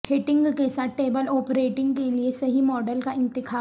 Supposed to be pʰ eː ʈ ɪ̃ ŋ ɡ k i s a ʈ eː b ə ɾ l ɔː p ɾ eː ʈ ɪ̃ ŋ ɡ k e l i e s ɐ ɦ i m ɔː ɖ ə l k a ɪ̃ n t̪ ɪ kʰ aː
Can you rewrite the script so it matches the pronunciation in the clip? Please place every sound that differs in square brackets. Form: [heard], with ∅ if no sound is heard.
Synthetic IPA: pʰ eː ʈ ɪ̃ ŋ ɡ k [e] s a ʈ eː b ə [∅] l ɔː p ɾ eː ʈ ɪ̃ ŋ ɡ k e l i e s ɐ ɦ i m ɔː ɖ ə l k a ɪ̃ n t̪ ɪ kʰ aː